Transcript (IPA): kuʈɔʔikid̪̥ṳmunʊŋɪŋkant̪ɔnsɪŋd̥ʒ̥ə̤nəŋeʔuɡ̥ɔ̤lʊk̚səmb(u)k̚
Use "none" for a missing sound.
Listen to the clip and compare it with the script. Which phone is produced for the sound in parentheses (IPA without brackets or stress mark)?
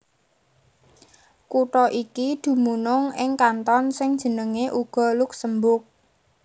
ʊ